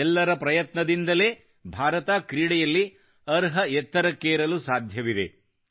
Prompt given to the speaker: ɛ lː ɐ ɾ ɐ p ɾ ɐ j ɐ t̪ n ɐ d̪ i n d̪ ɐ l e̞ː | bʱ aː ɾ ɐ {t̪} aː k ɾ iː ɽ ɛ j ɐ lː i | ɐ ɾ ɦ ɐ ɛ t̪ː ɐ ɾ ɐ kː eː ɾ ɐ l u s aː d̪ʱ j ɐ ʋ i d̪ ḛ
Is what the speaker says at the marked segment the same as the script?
yes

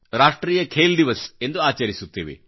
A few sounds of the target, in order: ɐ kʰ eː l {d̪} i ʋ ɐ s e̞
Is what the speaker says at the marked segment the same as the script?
yes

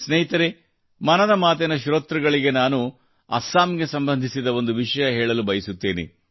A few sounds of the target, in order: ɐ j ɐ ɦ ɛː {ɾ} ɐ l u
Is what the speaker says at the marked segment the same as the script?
no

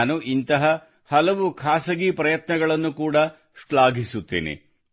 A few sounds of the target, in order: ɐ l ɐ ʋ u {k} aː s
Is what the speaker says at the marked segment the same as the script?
no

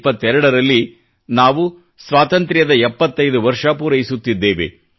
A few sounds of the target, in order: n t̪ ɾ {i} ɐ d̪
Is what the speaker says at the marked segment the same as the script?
no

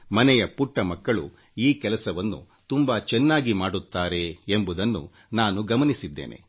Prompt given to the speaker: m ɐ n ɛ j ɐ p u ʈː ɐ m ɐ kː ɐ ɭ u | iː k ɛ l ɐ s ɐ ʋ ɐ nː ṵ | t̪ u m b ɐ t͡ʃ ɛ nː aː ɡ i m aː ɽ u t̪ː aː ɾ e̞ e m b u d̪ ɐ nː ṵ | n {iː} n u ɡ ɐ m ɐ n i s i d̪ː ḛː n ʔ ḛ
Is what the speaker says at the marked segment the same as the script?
no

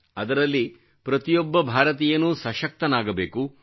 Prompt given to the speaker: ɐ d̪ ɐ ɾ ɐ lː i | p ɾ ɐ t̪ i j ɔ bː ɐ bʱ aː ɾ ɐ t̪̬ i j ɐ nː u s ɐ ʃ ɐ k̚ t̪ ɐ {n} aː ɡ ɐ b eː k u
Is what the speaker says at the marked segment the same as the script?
yes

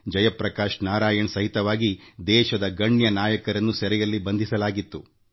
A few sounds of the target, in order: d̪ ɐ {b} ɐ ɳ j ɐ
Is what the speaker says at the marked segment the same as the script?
no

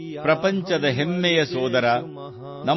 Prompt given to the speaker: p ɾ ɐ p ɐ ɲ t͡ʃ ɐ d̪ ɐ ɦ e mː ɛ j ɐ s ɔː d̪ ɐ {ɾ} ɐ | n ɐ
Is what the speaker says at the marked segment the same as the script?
yes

